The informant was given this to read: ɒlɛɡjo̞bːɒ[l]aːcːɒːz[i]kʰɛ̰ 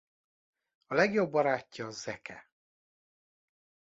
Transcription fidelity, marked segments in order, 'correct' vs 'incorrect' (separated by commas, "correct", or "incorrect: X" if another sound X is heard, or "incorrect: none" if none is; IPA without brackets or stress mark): incorrect: ɾ, incorrect: ɛ